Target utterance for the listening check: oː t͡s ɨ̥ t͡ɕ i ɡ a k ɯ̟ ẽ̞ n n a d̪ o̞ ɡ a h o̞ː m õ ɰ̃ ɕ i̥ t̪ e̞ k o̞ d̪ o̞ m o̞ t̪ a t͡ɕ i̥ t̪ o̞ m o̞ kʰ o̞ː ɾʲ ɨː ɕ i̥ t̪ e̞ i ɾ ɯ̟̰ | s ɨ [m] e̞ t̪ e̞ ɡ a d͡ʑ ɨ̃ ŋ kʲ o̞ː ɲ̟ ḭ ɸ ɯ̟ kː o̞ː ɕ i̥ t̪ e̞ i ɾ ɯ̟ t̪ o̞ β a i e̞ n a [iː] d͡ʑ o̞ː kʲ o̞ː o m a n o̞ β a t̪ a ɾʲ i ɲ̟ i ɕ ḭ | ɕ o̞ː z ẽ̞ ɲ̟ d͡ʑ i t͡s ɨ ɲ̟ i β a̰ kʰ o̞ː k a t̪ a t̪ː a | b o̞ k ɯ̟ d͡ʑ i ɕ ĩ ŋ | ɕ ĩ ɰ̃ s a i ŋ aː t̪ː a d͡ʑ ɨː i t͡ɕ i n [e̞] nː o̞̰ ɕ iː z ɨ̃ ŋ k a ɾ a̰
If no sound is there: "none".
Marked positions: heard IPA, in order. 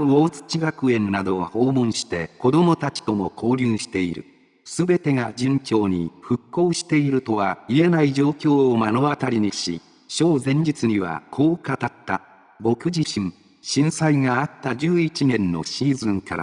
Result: b, i, ẽ̞

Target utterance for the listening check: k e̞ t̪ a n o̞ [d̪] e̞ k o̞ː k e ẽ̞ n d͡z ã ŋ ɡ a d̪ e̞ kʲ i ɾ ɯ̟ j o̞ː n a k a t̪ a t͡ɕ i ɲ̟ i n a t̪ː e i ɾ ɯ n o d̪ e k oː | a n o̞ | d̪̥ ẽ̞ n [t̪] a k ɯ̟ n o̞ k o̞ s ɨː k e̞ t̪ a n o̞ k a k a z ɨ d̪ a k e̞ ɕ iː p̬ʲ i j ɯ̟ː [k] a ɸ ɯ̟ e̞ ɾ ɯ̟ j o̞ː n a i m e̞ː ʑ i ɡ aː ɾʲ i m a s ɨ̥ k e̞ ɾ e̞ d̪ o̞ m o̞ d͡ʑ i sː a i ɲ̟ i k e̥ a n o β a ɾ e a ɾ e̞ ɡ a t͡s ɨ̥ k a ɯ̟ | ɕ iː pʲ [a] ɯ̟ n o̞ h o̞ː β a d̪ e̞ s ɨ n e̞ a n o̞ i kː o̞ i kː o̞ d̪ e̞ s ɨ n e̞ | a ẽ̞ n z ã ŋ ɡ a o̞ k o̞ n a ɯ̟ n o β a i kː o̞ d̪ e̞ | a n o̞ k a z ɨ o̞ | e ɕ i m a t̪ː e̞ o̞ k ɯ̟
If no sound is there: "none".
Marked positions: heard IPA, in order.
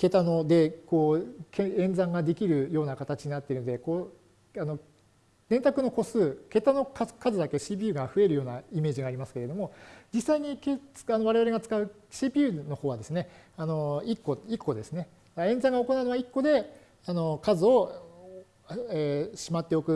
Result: d̪, t̪, ɡ, i

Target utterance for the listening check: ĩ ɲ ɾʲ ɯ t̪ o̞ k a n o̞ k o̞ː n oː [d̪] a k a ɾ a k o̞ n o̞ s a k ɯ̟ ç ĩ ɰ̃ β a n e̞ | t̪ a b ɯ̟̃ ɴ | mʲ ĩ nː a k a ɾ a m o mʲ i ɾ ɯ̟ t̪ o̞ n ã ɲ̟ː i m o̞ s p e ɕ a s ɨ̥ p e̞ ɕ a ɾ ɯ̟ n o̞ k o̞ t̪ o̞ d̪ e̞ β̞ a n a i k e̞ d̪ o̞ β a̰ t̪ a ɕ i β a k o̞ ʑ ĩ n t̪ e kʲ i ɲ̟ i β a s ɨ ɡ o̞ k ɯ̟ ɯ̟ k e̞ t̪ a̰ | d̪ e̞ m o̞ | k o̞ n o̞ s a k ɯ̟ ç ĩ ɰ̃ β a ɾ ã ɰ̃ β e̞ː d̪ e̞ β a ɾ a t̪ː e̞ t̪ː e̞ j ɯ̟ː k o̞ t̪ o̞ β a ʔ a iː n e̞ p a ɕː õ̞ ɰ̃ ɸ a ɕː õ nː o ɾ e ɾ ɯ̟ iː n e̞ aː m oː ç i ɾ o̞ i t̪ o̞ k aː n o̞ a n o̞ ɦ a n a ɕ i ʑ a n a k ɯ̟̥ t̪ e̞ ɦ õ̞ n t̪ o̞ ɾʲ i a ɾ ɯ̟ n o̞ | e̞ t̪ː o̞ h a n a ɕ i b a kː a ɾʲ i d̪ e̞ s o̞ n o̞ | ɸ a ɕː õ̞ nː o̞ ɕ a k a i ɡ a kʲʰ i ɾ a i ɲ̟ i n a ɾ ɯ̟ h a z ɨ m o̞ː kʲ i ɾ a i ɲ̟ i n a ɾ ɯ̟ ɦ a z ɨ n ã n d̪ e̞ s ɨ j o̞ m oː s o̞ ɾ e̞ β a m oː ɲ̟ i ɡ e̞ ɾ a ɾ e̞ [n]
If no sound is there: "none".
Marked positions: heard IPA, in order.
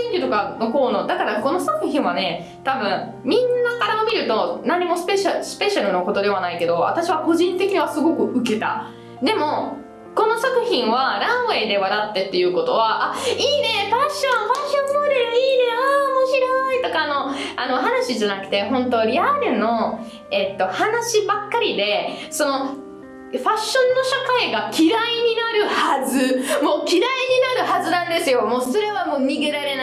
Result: d̪, n

